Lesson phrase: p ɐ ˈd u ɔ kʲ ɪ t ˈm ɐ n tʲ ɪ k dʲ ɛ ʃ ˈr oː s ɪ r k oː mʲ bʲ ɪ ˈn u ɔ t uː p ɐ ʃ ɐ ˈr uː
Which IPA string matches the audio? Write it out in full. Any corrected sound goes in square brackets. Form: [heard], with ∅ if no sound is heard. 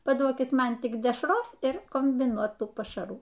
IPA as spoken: p ɐ ˈd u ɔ kʲ ɪ t ˈm ɐ n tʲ ɪ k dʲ ɛ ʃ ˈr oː s ɪ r k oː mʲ bʲ ɪ ˈn u ɔ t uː p ɐ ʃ ɐ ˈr uː